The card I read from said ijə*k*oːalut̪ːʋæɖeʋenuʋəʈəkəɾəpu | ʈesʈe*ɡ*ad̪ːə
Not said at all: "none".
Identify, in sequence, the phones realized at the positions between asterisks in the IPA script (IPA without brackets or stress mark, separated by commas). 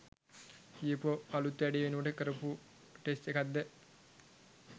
p, k